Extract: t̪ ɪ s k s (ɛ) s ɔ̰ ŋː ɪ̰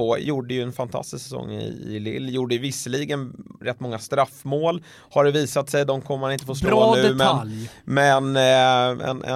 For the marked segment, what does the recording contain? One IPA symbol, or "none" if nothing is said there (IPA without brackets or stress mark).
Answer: ɛ